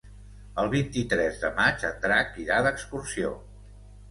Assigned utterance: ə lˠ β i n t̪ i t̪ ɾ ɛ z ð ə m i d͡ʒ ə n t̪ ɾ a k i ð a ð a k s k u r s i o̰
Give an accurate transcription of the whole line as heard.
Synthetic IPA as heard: ə lˠ β i n t̪ i t̪ ɾ ɛ z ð ə m a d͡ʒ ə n t̪ ɾ a k i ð a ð ə k s k u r s i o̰